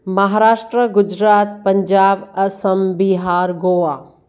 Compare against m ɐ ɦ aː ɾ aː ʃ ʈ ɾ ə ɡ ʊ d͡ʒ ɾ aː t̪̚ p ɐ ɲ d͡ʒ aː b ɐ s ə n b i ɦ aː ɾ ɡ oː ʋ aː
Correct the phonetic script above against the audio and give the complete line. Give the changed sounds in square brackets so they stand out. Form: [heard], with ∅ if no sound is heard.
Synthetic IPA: m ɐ ɦ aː ɾ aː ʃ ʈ ɾ ə ɡ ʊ d͡ʒ ɾ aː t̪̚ p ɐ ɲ d͡ʒ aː b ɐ s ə [m] b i ɦ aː ɾ ɡ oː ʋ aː